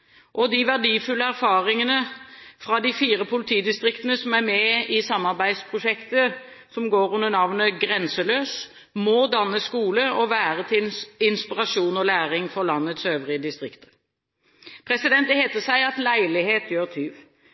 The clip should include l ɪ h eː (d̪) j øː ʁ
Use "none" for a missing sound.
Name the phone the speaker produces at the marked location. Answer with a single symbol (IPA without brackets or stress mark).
t̪